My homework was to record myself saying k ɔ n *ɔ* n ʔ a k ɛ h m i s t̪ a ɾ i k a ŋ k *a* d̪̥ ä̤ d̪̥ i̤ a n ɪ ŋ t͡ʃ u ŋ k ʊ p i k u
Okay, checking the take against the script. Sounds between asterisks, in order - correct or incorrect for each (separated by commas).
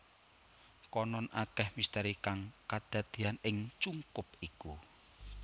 correct, correct